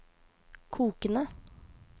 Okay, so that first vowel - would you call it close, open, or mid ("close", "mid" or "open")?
close